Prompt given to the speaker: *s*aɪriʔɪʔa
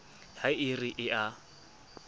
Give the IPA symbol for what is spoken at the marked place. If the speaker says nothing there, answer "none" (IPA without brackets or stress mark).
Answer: h